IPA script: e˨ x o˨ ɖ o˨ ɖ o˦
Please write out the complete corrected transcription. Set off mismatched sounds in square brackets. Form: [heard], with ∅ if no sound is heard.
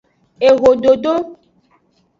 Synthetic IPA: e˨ [ɣ] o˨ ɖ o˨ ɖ o˦